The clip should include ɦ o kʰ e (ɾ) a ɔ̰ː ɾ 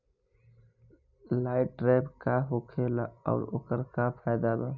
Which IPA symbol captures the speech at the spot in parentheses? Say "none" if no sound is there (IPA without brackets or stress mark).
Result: l